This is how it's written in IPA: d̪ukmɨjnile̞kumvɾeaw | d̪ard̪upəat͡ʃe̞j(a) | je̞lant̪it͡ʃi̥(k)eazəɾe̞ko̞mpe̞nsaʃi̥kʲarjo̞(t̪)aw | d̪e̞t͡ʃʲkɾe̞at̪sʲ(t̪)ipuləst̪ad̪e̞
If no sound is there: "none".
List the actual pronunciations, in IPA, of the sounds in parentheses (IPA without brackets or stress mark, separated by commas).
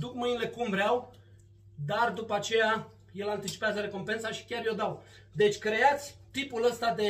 a, p, d̪, t̪